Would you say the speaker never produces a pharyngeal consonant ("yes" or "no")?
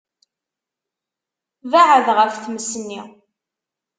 no